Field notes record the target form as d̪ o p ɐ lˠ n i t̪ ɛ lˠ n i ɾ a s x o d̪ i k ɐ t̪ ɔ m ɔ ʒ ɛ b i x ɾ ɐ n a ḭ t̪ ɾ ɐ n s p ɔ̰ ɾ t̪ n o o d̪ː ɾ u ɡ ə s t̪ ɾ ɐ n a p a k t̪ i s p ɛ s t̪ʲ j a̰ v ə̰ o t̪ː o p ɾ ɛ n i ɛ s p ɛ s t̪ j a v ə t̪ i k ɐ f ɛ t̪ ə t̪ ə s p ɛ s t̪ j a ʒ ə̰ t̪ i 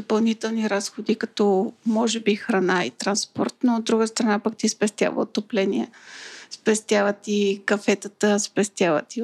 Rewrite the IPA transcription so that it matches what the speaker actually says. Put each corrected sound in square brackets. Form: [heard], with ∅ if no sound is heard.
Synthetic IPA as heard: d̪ o p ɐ lˠ n i t̪ ɛ lˠ n i ɾ a s x o d̪ i k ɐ t̪ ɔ m ɔ ʒ ɛ b i x ɾ ɐ n a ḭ t̪ ɾ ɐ n s p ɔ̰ ɾ t̪ n o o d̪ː ɾ u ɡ ə s t̪ ɾ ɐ n a p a k t̪ i s p ɛ s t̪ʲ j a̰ v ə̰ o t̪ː o p [l] ɛ n i ɛ s p ɛ s t̪ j a v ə t̪ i k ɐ f ɛ t̪ ə t̪ ə s p ɛ s t̪ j a [v] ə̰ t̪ i